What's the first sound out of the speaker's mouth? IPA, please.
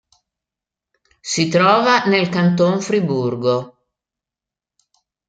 s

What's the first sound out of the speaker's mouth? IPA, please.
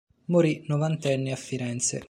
m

